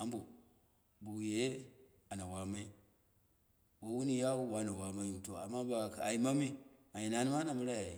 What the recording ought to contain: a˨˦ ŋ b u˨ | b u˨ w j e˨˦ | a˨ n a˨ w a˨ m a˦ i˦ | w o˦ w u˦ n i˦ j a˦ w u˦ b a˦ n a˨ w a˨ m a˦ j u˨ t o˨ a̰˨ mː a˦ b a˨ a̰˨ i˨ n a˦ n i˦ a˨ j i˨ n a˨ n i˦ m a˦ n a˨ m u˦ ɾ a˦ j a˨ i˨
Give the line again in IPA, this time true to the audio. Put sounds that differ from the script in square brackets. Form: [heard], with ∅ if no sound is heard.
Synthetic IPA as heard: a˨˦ [m] b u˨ | b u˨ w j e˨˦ | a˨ n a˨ w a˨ m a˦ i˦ | w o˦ w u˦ n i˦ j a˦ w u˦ [w] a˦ n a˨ w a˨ m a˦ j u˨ t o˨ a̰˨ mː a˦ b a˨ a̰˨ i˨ [m] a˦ [m] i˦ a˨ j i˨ n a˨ n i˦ m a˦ n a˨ m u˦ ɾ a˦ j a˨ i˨